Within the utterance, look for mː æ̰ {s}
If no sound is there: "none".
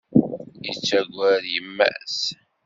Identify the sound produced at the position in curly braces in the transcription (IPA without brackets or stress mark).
s